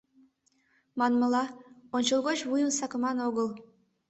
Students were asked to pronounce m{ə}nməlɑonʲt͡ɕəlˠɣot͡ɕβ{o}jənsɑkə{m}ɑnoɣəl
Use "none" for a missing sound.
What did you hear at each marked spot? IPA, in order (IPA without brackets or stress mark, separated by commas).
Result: ɑ, u, m